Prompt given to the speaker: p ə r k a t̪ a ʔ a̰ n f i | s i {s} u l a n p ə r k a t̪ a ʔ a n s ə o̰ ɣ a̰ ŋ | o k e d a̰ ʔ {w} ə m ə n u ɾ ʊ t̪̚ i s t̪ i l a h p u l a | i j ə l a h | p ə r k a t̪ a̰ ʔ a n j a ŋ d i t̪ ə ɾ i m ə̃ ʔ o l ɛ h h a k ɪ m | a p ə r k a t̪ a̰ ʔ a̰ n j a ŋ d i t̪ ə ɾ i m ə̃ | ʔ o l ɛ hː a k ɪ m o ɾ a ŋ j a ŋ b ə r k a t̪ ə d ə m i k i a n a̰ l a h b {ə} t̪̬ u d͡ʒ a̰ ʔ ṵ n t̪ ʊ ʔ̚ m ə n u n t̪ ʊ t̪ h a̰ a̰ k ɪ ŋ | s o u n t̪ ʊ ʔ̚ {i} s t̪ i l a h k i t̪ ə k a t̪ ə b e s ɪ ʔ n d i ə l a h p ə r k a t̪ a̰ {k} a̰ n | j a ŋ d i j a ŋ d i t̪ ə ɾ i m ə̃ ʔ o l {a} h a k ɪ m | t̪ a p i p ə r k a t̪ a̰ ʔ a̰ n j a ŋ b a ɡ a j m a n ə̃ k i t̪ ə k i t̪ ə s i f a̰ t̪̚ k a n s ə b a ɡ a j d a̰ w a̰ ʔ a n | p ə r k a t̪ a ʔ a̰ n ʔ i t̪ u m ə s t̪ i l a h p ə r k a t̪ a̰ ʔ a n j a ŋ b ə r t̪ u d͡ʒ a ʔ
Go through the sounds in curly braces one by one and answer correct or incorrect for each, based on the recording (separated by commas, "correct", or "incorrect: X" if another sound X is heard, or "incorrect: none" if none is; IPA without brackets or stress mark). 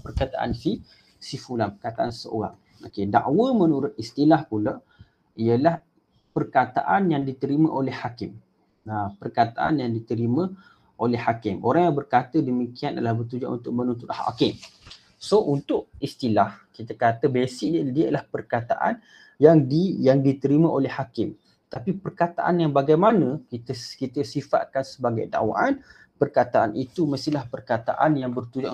incorrect: f, correct, correct, correct, incorrect: ʔ, incorrect: ɛ